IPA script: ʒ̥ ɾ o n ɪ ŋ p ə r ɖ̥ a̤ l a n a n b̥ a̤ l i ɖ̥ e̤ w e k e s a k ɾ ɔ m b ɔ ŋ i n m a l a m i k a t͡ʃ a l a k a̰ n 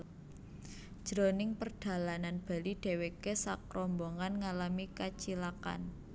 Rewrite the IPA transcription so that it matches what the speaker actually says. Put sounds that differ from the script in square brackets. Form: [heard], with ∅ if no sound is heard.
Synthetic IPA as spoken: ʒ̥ ɾ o n ɪ ŋ p ə r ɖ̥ a̤ l a n a n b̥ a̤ l i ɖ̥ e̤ w e k e s a k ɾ ɔ m b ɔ ŋ [a] n [ŋ] a l a m i k a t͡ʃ [i] l a k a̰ n